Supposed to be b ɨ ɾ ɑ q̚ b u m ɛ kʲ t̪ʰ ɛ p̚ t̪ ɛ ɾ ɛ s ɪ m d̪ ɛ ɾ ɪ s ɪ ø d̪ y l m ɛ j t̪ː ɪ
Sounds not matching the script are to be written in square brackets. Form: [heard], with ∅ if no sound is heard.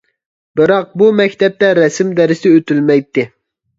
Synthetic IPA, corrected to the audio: b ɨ ɾ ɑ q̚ b u m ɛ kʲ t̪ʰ ɛ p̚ t̪ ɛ ɾ ɛ s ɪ m d̪ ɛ ɾ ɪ s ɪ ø [t̪] y l m ɛ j t̪ː ɪ